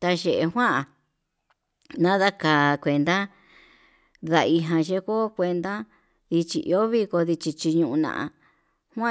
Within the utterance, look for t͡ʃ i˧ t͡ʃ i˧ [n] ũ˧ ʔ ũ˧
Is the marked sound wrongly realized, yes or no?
yes